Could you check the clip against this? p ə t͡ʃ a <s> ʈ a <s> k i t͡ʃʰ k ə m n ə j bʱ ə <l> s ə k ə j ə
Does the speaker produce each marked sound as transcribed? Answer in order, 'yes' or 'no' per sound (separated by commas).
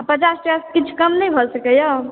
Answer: yes, yes, yes